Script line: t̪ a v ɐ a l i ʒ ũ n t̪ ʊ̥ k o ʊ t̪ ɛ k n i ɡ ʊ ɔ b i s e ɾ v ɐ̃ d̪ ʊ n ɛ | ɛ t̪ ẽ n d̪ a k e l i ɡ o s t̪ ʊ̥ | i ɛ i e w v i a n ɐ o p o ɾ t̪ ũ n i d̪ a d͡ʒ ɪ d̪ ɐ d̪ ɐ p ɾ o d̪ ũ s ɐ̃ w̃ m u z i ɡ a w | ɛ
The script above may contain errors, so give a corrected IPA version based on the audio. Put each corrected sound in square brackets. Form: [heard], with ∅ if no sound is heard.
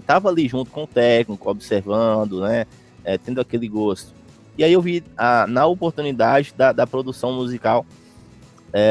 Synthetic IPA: t̪ a v ɐ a l i ʒ ũ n t̪ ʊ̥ k [õ] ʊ t̪ ɛ k n i [k] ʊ ɔ b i s e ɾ v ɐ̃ d̪ ʊ n ɛ | ɛ t̪ ẽ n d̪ a k e l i ɡ o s t̪ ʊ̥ | i [a] i e w v i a n ɐ o p o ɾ t̪ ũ n i d̪ a d͡ʒ ɪ d̪ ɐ d̪ ɐ p ɾ o d̪ [u] s ɐ̃ w̃ m u z i [k] a w | ɛ